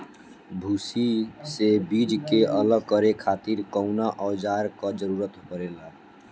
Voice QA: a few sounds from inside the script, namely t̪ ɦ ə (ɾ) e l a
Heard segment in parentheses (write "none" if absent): ɾ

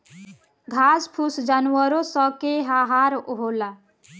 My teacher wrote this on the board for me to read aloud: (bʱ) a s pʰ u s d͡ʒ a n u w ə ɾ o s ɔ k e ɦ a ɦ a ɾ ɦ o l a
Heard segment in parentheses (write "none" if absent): ɡʱ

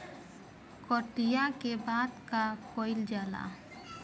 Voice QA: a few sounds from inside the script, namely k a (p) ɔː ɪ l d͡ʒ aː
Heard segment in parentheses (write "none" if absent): k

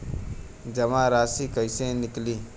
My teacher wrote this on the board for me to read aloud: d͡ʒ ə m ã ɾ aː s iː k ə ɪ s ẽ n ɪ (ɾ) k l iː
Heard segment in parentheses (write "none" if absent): none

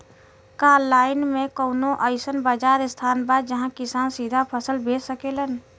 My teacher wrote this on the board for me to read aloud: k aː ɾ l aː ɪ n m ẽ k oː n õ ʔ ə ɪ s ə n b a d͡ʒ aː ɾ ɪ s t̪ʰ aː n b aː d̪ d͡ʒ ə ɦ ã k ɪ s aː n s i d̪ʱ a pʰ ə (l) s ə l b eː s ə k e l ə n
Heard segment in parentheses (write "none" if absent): none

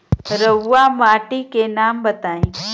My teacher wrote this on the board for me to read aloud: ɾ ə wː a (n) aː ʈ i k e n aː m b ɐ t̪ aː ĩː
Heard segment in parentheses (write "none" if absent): m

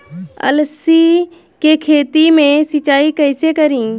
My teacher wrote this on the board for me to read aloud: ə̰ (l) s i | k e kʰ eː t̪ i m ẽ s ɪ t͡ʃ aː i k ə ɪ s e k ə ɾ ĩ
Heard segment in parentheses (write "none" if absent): l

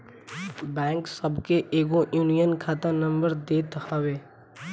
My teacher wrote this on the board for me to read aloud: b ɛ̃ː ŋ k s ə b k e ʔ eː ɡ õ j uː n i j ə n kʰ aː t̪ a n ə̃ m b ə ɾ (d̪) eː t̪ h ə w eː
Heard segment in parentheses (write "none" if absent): d̪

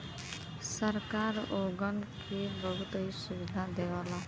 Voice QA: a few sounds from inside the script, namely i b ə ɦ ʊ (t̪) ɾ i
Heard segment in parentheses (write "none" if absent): t̪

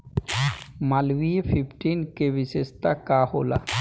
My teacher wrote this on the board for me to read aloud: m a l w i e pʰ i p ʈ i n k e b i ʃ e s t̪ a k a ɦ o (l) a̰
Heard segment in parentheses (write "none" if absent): l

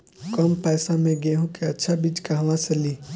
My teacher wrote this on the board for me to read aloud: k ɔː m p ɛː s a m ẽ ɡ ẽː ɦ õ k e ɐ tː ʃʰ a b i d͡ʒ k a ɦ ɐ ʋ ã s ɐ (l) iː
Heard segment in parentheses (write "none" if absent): l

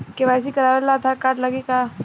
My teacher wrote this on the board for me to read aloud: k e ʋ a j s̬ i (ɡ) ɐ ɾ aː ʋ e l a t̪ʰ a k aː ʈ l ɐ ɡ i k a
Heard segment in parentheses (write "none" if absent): k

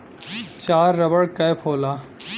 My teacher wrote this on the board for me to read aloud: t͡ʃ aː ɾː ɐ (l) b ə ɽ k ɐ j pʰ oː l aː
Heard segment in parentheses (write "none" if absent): none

